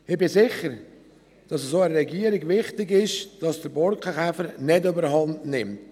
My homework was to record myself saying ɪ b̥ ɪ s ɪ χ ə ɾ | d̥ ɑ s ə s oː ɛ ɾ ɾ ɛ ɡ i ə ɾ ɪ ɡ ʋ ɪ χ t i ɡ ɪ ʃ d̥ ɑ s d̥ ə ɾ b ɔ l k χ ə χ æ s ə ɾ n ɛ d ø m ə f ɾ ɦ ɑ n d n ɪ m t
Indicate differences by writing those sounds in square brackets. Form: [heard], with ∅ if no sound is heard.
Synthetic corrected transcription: ɪ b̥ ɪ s ɪ χ ə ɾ | d̥ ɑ s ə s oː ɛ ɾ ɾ ɛ ɡ i ə ɾ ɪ ɡ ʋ ɪ χ t [ɪ] ɡ ɪ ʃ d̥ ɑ s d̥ ə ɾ b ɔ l k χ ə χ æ [f] ə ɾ n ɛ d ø [b] ə [∅] ɾ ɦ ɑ n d n ɪ m t